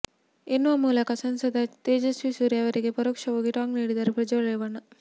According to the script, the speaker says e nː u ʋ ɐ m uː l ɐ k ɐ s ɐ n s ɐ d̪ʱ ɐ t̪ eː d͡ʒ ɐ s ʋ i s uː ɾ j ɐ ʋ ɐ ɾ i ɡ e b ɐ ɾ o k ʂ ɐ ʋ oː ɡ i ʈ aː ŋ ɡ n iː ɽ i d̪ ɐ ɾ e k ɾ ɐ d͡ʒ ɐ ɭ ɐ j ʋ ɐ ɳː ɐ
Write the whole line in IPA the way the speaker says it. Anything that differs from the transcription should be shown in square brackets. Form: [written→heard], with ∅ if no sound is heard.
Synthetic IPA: e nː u ʋ ɐ m uː l ɐ k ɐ s ɐ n s ɐ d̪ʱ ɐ t̪ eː d͡ʒ ɐ s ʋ i s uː ɾ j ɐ ʋ ɐ ɾ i ɡ e [b→p] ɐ ɾ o k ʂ ɐ ʋ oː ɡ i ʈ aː ŋ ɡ n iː ɽ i d̪ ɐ ɾ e [k→p] ɾ ɐ d͡ʒ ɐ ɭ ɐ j ʋ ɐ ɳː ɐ